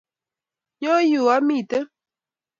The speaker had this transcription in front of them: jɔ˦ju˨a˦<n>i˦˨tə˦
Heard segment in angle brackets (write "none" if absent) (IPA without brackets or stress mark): m